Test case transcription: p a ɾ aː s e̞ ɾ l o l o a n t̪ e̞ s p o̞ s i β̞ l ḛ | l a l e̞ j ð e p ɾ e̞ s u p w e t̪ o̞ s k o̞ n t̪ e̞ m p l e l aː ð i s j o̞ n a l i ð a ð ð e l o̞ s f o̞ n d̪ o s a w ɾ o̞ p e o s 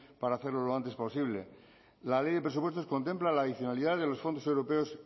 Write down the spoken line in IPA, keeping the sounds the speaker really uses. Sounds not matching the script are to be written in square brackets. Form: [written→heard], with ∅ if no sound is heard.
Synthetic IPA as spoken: p a ɾ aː [s→θ] e̞ ɾ l o l o a n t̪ e̞ s p o̞ s i β̞ l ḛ | l a l e̞ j ð e p ɾ e̞ s u p w e t̪ o̞ s k o̞ n t̪ e̞ m p l [e→a] l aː ð i [s→θ] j o̞ n a l i ð a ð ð e l o̞ s f o̞ n d̪ o s [a→e] w ɾ o̞ p e o s